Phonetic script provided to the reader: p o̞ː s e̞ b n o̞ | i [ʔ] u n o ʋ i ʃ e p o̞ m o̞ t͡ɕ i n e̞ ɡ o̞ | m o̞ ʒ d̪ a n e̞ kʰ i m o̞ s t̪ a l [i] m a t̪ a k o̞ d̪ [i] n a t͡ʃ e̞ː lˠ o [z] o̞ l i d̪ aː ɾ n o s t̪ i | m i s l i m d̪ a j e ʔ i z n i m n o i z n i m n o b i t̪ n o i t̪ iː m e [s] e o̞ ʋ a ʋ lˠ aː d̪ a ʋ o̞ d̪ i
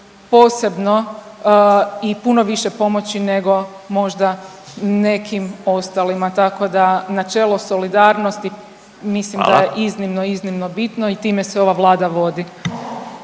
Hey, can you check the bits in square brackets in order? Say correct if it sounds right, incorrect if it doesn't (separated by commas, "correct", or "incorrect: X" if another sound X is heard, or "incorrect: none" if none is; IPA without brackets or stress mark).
incorrect: p, correct, incorrect: a, incorrect: s, correct